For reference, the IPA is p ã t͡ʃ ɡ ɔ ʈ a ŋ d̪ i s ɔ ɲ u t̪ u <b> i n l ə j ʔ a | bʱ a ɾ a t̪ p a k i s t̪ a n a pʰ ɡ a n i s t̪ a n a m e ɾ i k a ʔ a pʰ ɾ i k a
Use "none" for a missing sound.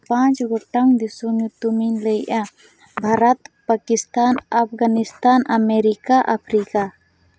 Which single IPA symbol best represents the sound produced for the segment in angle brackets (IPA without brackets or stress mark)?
m